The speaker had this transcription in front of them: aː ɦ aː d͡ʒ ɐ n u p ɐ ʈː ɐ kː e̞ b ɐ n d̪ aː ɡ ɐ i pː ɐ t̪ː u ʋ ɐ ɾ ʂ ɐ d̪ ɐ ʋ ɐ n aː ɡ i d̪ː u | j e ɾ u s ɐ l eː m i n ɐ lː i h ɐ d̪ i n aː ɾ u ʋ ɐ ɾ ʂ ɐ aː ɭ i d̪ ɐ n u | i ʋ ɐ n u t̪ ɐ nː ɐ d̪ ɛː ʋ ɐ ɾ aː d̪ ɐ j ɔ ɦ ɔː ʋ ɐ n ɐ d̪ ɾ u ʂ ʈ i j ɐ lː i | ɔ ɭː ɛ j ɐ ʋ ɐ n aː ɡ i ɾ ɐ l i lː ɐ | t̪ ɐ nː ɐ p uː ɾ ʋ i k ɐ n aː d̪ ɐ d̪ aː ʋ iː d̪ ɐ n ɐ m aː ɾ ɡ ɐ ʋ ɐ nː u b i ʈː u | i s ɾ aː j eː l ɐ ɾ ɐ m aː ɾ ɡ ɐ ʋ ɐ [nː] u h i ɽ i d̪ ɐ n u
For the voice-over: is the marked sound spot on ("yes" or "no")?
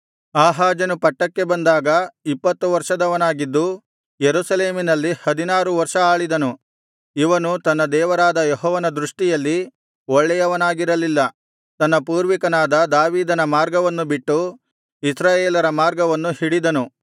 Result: yes